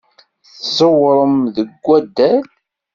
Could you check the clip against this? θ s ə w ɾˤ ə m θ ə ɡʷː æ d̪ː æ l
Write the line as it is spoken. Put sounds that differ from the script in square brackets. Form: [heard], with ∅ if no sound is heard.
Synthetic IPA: θ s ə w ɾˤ ə m [ð] ə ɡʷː æ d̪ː æ l

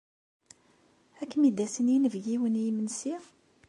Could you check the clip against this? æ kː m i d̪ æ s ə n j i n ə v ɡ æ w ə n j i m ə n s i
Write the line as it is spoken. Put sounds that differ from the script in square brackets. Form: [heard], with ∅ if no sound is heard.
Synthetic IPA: æ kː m i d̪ æ s ə n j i n ə v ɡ [i] w ə n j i m ə n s i

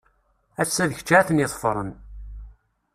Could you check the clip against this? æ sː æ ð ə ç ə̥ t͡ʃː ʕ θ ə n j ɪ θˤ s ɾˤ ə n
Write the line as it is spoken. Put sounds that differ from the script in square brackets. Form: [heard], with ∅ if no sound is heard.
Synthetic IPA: æ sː æ ð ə ç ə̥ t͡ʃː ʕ θ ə n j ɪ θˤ [f] ɾˤ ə n

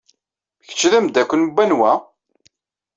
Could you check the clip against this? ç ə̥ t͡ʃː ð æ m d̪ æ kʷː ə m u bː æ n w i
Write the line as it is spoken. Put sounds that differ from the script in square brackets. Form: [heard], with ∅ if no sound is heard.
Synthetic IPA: ç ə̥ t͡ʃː ð æ m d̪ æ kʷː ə [n] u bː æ n w [æ]

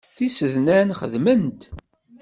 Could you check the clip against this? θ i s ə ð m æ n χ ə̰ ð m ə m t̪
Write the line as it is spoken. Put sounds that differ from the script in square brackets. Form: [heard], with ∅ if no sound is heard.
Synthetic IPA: θ i s ə ð [n] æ n χ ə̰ ð m ə [n] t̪

